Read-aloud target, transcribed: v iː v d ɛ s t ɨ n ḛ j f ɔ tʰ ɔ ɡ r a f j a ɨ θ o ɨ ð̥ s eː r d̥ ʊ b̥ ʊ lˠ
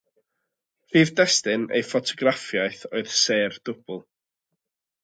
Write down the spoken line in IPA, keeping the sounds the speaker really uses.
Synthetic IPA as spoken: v iː v d ɛ s t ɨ n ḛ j f ɔ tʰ ɔ ɡ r a f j a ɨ θ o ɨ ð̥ s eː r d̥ ʊ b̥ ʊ lˠ